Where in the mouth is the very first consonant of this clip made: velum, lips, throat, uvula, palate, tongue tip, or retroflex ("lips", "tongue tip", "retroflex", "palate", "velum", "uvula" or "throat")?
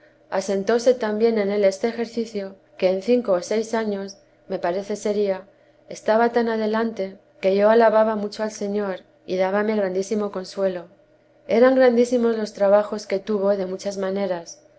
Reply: tongue tip